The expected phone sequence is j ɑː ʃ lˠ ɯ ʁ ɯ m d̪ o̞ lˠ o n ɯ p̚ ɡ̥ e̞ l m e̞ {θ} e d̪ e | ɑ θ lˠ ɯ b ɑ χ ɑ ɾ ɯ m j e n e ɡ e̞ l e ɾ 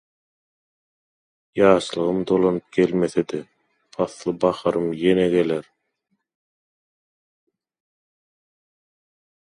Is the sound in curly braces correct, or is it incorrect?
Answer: correct